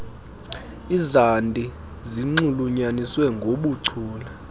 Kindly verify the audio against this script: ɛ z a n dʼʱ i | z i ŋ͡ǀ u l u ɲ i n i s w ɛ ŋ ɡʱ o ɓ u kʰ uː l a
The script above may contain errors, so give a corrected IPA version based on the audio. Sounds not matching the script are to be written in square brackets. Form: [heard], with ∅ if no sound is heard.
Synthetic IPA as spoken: [i] z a n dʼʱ i | z i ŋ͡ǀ u l u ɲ [a] n i s w ɛ ŋ ɡʱ o ɓ u [ǀʰ] uː l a